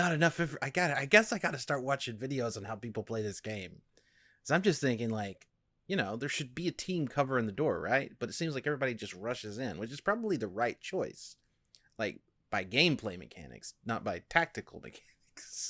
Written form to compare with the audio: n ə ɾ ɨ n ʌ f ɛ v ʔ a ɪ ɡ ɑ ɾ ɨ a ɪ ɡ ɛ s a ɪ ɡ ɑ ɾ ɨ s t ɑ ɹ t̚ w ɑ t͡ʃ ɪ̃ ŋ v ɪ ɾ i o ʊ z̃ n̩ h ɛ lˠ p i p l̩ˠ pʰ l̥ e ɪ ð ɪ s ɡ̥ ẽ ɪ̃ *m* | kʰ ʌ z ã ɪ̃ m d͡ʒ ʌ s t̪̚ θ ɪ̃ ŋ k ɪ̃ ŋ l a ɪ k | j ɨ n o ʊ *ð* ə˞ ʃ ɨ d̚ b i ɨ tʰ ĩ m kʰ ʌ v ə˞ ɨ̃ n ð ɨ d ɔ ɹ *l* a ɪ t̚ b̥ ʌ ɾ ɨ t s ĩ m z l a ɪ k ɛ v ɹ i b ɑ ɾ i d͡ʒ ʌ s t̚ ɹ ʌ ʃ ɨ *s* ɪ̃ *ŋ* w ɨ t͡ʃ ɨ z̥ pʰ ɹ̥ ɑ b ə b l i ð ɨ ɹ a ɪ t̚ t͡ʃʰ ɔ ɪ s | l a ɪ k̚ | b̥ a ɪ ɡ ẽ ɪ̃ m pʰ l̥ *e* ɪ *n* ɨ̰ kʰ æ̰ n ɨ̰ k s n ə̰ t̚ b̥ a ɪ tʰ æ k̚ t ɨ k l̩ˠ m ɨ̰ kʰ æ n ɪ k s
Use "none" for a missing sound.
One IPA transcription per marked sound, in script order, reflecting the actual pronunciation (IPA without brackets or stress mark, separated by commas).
m, ð, ɹ, z, n, e, m